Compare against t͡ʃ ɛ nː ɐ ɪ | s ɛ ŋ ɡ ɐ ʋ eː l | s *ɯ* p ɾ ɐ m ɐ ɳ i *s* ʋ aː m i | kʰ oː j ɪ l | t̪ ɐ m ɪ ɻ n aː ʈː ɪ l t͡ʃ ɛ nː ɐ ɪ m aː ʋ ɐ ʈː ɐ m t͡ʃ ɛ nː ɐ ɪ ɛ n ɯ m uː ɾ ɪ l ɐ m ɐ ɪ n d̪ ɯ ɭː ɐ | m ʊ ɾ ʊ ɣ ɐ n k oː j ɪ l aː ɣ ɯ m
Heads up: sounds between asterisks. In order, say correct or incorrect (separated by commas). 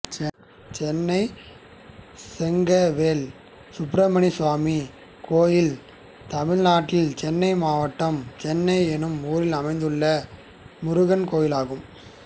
incorrect, correct